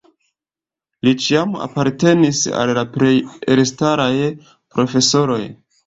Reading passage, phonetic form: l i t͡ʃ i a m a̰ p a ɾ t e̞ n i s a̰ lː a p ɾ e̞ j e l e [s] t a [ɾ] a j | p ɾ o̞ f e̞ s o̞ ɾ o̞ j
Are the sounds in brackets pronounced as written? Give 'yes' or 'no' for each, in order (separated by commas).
yes, yes